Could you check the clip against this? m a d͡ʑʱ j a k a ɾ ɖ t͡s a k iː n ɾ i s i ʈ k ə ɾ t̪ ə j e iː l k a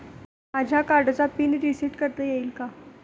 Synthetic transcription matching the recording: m a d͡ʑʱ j a k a ɾ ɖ t͡s a p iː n ɾ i s i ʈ k ə ɾ t̪ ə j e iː l k a